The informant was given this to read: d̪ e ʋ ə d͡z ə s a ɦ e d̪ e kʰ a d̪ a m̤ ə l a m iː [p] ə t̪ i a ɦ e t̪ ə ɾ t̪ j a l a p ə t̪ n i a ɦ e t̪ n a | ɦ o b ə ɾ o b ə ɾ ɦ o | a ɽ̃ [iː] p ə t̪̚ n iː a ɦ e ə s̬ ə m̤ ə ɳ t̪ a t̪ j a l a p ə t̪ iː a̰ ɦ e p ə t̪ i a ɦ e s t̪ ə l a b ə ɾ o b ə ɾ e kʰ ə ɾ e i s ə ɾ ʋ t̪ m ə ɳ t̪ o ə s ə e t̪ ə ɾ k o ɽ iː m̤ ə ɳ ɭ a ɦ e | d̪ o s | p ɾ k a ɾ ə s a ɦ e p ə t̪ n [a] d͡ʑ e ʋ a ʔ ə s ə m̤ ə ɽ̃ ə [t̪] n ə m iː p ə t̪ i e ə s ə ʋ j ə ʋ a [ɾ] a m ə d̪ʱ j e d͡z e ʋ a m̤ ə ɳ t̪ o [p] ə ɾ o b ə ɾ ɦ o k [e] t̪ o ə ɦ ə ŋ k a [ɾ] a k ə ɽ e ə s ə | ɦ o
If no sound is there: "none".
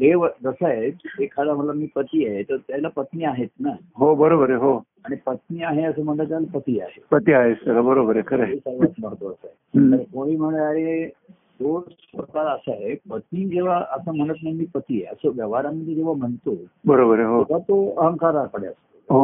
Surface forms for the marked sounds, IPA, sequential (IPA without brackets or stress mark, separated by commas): p, i, i, t̪, ɾ, b, a, ɾ